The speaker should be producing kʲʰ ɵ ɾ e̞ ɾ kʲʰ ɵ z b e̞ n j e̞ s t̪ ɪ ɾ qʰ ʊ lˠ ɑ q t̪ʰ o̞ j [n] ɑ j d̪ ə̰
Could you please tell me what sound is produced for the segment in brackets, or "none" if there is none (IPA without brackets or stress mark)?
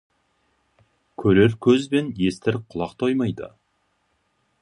m